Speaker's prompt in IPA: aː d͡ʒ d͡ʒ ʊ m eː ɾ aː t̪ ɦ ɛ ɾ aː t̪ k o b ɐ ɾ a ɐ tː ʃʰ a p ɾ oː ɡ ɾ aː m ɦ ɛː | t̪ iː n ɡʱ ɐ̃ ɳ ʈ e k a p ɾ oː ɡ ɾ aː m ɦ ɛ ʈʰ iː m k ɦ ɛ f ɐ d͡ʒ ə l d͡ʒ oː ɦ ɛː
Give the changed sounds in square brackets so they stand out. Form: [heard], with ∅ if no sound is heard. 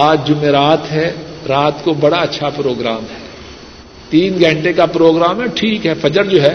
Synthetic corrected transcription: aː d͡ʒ d͡ʒ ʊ m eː ɾ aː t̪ ɦ ɛ ɾ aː t̪ k o b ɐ [ɽ] a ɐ tː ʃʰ a p ɾ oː ɡ ɾ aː m ɦ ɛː | t̪ iː n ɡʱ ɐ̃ ɳ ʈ e k a p ɾ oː ɡ ɾ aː m ɦ ɛ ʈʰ iː [∅] k ɦ ɛ f ɐ d͡ʒ ə [ɾ] d͡ʒ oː ɦ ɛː